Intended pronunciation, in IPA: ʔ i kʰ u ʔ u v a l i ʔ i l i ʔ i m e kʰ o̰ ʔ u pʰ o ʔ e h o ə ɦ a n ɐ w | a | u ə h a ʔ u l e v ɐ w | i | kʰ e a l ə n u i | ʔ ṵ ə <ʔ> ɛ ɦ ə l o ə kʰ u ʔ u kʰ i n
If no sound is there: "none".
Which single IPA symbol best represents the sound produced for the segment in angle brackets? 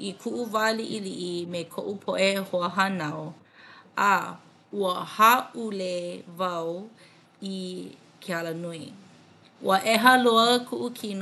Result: ʔ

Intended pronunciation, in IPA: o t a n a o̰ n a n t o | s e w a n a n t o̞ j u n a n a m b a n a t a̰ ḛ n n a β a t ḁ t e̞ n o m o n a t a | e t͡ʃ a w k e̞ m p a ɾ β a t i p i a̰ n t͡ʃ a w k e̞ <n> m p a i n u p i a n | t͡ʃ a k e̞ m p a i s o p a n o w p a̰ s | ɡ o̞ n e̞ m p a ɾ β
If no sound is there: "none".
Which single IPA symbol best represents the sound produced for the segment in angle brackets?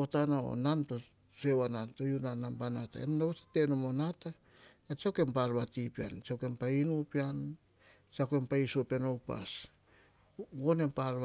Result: none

